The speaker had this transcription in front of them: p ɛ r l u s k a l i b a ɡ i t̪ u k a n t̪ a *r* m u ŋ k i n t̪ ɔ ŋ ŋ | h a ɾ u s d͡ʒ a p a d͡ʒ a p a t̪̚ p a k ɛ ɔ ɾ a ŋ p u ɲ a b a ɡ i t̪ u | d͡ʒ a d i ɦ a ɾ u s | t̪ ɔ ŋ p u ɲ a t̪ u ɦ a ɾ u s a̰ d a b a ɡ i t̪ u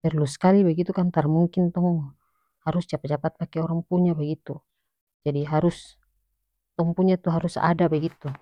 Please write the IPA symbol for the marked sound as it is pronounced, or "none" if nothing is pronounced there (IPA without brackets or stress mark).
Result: r